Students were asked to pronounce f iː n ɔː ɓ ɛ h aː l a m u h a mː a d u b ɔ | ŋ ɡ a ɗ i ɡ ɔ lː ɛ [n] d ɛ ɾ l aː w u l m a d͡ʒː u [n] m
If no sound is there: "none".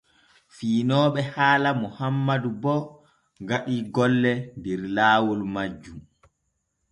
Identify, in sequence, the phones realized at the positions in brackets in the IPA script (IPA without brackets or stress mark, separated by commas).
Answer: n, none